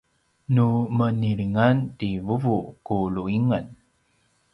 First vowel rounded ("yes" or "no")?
yes